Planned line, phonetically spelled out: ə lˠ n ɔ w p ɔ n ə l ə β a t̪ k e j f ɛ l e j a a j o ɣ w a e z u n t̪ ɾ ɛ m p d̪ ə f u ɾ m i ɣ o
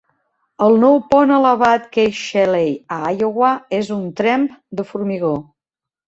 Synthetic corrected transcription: ə lˠ n ɔ w p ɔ n ə l ə β a t̪ k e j ʃ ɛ l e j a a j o ɣ w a e z u n t̪ ɾ ɛ m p d̪ ə f u ɾ m i ɣ o